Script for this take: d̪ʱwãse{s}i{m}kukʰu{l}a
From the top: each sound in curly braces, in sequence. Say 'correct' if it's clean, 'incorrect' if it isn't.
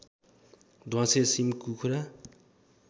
correct, correct, incorrect

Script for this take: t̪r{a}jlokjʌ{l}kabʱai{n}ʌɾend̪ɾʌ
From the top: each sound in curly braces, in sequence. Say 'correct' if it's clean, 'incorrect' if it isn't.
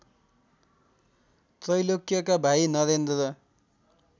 incorrect, incorrect, correct

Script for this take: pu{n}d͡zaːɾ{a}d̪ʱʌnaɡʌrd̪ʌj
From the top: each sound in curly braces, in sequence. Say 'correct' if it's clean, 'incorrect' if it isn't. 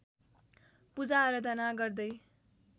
incorrect, incorrect

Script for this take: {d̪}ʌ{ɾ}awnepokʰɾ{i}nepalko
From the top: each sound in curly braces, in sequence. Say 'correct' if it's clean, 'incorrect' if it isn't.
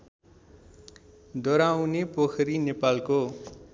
correct, correct, correct

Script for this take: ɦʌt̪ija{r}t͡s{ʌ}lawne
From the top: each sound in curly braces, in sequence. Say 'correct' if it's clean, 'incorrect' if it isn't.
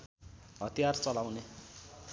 correct, correct

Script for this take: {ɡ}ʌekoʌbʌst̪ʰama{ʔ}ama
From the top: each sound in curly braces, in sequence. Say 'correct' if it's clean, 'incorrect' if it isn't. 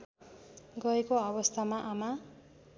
correct, correct

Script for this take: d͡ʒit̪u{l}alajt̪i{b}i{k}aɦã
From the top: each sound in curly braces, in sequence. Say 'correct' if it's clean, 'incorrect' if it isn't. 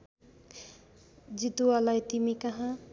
incorrect, incorrect, correct

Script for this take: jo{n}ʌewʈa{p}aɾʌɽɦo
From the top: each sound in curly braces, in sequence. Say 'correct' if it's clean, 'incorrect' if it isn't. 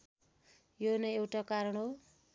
correct, incorrect

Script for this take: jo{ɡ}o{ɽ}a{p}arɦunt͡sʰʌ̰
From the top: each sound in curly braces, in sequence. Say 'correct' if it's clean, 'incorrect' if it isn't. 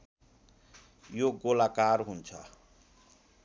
correct, incorrect, incorrect

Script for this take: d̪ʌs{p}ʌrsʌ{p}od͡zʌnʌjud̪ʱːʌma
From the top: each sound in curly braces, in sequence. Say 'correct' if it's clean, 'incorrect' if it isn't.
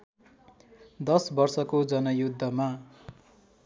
incorrect, incorrect

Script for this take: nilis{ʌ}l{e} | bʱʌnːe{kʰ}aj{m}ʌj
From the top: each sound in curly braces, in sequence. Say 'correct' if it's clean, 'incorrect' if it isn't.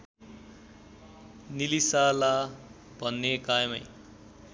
incorrect, incorrect, incorrect, correct

